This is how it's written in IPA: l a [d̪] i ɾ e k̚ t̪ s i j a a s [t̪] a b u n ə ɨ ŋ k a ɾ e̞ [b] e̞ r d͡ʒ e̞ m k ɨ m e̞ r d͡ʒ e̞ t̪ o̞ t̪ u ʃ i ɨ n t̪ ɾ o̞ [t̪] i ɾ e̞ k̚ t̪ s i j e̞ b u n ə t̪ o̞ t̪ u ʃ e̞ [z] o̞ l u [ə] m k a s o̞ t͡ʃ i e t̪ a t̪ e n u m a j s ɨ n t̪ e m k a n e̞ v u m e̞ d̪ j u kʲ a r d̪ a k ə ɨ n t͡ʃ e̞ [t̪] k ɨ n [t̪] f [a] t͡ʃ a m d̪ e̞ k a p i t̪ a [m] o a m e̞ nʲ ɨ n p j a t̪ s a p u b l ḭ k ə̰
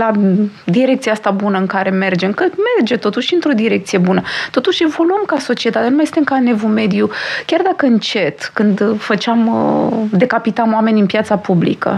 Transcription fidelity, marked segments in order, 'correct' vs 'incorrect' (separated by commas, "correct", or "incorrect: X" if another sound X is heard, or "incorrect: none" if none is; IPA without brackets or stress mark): correct, correct, incorrect: m, incorrect: d̪, incorrect: v, correct, correct, incorrect: d̪, incorrect: ə, correct